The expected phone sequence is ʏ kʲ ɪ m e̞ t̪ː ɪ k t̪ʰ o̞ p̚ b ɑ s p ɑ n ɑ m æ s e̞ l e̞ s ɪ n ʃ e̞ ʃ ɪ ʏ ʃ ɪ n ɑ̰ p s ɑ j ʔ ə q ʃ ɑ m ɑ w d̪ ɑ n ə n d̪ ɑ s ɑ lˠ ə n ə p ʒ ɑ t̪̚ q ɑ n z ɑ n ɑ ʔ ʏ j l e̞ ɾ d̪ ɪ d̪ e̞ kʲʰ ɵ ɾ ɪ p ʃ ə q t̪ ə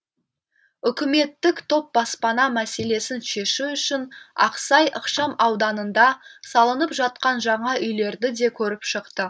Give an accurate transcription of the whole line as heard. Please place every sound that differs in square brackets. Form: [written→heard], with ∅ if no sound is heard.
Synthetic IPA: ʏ kʲ ɪ m e̞ t̪ː ɪ k t̪ʰ o̞ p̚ b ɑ s p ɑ n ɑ m æ s e̞ l e̞ s ɪ n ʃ e̞ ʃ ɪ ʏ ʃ ɪ n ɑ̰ [p→q] s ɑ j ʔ ə q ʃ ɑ m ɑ w d̪ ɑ n ə n d̪ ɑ s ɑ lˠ ə n ə p ʒ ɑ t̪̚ q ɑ n [z→ʒ] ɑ [n→ɴ] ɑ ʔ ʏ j l e̞ ɾ d̪ ɪ d̪ e̞ kʲʰ ɵ ɾ ɪ p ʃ ə q t̪ ə